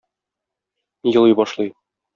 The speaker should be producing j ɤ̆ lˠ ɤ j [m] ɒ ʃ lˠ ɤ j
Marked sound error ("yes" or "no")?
yes